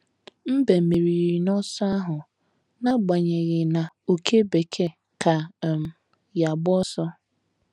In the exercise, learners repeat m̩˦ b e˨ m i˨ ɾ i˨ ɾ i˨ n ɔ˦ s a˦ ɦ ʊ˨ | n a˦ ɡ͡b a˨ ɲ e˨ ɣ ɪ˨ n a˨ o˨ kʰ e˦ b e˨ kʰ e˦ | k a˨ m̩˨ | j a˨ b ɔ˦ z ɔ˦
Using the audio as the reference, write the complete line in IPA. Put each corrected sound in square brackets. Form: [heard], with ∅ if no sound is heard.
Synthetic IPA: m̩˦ b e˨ m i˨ ɾ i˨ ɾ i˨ n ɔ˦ s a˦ ɦ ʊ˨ | n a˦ ɡ͡b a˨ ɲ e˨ ɣ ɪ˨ n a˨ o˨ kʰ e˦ b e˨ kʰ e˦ | k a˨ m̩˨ | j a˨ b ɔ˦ [s] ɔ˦